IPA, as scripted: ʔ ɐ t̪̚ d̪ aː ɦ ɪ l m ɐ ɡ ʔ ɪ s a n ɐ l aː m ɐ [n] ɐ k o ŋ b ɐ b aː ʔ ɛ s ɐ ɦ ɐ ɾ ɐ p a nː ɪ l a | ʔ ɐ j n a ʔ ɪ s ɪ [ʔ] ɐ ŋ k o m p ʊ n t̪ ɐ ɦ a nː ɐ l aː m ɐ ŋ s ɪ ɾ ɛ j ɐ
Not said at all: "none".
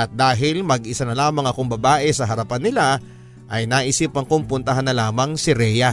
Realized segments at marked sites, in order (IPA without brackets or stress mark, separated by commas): ŋ, p